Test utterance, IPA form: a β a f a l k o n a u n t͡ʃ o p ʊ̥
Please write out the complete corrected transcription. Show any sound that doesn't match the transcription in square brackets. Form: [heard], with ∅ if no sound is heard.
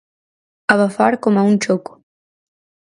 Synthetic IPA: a β a f a [ɾ] k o [m] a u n t͡ʃ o [k] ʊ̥